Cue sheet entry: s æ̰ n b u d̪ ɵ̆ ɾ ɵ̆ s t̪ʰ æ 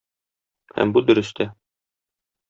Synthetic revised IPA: h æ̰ m b u d̪ ɵ̆ ɾ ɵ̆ s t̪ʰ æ

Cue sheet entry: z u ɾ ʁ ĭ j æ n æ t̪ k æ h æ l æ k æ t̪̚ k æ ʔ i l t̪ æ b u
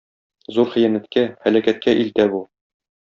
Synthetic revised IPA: z u ɾ χ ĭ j æ n æ t̪ k æ h æ l æ k æ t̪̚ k æ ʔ i l t̪ æ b u

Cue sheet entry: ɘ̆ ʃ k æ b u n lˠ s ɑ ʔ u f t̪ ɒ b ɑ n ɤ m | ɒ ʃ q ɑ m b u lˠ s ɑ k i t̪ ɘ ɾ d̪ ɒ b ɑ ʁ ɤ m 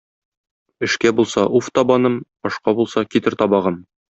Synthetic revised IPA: ɘ̆ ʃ k æ b u lˠ s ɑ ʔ u f t̪ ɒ b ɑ n ɤ m | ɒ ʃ q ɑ b u lˠ s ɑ k i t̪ ɘ ɾ t̪ ɒ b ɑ ʁ ɤ m

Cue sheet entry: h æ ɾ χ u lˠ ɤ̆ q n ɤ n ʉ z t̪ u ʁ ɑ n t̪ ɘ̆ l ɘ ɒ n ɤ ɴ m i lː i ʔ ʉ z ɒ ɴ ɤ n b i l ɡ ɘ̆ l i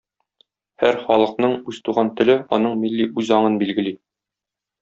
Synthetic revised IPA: h æ ɾ χ ɒ lˠ ɤ̆ q n ɤ ɴ ʉ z t̪ u ʁ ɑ n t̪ ɘ̆ l ɘ ɒ n ɤ ɴ m i lː i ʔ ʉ z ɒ ɴ ɤ n b i l ɡ ɘ̆ l i

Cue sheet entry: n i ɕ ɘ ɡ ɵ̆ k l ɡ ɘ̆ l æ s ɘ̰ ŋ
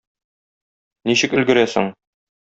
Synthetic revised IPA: n i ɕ ɘ k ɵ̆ l ɡ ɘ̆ ɾ æ s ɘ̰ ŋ

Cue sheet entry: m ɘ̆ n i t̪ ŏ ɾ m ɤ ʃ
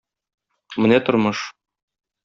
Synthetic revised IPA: m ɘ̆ n æ t̪ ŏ ɾ m ɤ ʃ

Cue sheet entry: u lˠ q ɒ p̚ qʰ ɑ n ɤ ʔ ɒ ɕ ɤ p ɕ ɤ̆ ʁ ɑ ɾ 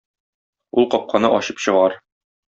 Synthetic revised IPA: u lˠ q ɒ p̚ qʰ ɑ n ɤ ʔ ɒ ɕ ɤ p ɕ ɤ̆ ʁ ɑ ɾ

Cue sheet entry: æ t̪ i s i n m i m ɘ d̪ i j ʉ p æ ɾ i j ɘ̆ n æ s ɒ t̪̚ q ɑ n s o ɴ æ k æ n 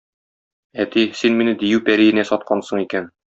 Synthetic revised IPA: æ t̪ i s i n m i n ɘ d̪ i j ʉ p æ ɾ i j ɘ̆ n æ s ɒ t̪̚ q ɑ n s ɤ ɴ i k æ n

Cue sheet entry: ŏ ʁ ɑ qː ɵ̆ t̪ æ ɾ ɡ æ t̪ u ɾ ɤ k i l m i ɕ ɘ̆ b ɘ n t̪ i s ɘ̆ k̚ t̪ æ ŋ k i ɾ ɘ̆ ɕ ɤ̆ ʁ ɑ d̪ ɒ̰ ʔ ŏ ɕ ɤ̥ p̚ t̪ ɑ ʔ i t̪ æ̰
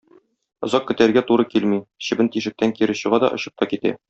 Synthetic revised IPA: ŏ z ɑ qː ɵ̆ t̪ æ ɾ ɡ æ t̪ u ɾ ɤ k i l m i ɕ ɘ̆ b ɘ n t̪ i ʃ ɘ̆ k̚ t̪ æ ŋ k i ɾ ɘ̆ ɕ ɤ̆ ʁ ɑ d̪ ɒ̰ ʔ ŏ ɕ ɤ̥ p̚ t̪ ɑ k i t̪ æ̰

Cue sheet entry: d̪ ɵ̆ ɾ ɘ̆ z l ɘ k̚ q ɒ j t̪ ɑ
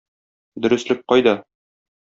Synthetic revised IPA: d̪ ɵ̆ ɾ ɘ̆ s l ɘ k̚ q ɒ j d̪ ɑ

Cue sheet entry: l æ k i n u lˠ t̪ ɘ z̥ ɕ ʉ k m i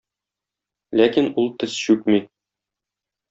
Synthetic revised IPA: l æ k i n u lˠ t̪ ɘ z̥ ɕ ʉ k m i

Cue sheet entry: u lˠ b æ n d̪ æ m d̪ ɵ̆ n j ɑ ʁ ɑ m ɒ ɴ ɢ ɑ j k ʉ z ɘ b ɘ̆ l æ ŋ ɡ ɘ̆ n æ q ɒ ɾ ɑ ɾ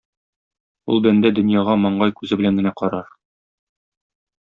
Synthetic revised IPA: u lˠ b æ n d̪ æ d̪ ɵ̆ n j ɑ ʁ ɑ m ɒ ɴ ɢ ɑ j k ʉ z ɘ b ɘ̆ l æ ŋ ɡ ɘ̆ n æ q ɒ ɾ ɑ ɾ

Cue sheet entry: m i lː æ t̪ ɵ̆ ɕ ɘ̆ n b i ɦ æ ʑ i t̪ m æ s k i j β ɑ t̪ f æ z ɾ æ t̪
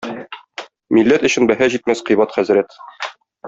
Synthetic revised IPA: m i lː æ t̪ ɵ̆ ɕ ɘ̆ n b æ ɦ æ ʑ i t̪ m æ s q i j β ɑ t̪ χ æ z ɾ æ t̪

